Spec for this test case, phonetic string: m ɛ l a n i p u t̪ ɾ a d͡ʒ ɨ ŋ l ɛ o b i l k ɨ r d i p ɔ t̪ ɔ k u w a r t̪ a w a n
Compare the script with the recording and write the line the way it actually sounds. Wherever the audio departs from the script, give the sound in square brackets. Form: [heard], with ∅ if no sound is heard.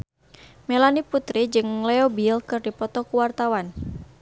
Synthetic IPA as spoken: m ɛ l a n i p u t̪ ɾ [i] d͡ʒ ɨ ŋ l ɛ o b i l k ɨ r d i p ɔ t̪ ɔ k u w a r t̪ a w a n